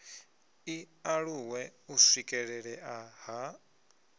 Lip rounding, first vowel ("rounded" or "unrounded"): unrounded